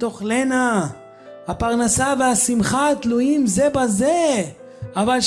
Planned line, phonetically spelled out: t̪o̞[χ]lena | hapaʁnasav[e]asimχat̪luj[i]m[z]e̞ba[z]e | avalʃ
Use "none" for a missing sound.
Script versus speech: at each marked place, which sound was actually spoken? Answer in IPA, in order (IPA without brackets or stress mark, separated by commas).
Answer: χ, e, i, z, z